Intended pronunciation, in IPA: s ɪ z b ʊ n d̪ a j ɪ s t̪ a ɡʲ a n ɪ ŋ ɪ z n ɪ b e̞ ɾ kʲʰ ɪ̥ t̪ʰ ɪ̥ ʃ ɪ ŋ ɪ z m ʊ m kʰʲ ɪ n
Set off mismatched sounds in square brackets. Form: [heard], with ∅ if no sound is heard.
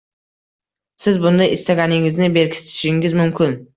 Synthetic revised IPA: s ɪ z b ʊ n d̪ a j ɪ s t̪ a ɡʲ a n ɪ ŋ ɪ z n ɪ b e̞ ɾ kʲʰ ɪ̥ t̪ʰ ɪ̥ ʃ ɪ ŋ ɪ z m ʊ m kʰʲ ɪ n